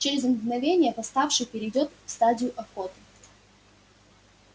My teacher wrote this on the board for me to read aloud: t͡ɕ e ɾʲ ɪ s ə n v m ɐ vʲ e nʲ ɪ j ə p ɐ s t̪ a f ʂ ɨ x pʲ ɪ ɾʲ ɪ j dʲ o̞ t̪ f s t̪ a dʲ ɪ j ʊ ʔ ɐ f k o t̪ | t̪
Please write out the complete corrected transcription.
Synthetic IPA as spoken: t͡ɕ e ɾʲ ɪ z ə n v n ɐ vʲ e nʲ ɪ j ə p ɐ s t̪ a f ʂ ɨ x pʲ ɪ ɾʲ ɪ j dʲ o̞ t̪ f s t̪ a dʲ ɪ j ʊ ʔ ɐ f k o t̪ | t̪